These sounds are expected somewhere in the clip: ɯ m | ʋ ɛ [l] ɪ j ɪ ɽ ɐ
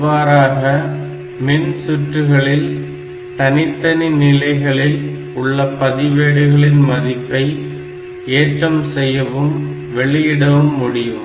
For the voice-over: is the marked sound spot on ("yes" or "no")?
no